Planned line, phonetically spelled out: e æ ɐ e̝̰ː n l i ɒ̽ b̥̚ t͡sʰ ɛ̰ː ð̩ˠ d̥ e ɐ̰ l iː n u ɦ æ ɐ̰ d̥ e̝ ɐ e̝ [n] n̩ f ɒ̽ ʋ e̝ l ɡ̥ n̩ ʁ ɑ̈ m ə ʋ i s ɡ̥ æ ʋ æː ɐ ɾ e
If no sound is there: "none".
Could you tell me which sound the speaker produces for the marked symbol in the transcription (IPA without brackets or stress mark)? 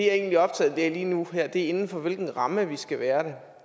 n